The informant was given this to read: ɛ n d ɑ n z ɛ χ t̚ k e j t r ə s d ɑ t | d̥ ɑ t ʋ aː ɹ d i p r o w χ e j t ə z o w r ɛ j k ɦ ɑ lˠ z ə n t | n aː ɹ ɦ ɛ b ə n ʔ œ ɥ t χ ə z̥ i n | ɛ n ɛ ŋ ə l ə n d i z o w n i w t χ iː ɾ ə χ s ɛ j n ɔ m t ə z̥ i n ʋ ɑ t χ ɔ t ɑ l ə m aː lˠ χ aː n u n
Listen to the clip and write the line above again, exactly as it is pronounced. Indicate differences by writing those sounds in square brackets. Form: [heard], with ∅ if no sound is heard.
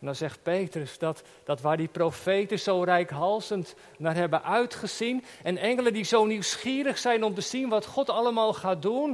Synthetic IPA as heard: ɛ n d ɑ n z ɛ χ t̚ [p] e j t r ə s d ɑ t | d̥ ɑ t ʋ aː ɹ d i p r o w [f] e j t ə z o w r ɛ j k ɦ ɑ lˠ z ə n t | n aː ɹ ɦ ɛ b ə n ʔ œ ɥ t χ ə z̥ i n | ɛ n ɛ ŋ ə l ə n d i z o w n i w [s] χ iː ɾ ə χ s ɛ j n ɔ m t ə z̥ i n ʋ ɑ t χ ɔ t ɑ l ə m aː lˠ χ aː [d] u n